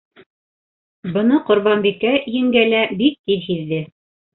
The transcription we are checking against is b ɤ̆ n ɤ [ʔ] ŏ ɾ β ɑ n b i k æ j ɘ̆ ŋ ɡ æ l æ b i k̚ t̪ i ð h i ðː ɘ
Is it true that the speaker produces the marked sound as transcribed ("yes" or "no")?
no